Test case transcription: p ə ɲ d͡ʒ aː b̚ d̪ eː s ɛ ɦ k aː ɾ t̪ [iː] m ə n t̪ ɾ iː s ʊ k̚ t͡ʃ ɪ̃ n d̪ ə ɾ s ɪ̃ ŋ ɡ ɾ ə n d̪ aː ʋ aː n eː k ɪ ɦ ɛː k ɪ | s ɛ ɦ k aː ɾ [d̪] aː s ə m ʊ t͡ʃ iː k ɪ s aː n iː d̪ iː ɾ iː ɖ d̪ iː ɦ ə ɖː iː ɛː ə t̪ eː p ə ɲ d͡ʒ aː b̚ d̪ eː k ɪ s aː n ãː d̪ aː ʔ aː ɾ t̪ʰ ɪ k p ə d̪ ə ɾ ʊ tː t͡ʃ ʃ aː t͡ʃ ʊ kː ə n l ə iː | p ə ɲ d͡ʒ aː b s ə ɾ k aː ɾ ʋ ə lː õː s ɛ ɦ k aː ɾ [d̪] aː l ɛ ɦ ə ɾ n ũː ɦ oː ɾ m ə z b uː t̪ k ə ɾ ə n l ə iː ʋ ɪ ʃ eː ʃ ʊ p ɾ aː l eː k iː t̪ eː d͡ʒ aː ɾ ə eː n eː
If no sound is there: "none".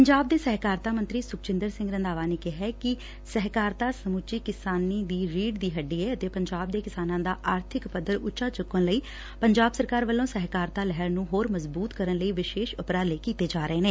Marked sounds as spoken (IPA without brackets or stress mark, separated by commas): aː, t̪, t̪